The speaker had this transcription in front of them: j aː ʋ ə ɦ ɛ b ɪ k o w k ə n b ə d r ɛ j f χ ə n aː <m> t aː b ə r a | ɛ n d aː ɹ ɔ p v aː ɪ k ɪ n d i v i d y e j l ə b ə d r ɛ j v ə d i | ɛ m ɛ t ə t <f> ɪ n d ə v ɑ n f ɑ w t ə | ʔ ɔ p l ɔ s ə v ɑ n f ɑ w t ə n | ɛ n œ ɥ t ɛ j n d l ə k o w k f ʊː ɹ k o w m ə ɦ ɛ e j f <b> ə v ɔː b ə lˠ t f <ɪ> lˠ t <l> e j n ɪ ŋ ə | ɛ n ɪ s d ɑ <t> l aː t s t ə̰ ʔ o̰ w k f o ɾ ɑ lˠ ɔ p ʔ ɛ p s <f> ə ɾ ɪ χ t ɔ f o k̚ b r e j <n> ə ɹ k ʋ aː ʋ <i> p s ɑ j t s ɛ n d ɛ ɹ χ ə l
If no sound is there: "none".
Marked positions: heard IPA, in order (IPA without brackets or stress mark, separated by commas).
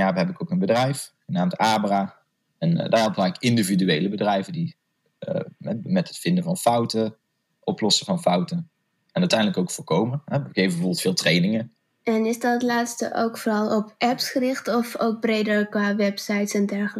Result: m, f, b, ɪː, r, t, χ, d, ɛ